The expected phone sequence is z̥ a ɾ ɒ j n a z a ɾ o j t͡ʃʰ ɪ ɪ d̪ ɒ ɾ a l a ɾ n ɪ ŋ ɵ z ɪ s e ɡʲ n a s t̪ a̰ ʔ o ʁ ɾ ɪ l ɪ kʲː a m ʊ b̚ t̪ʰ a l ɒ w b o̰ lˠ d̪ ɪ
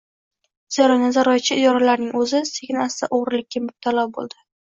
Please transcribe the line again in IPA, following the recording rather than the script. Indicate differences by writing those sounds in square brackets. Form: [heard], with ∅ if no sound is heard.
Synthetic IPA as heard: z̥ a ɾ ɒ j n a z a ɾ [ɒ] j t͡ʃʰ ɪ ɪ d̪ ɒ ɾ a l a ɾ n ɪ ŋ ɵ z ɪ s e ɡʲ n a s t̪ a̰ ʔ o ʁ ɾ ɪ l ɪ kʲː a m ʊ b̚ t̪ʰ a l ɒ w b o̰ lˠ d̪ ɪ